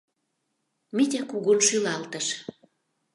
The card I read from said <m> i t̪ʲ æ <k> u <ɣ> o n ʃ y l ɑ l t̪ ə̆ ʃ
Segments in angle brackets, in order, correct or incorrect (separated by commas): correct, correct, correct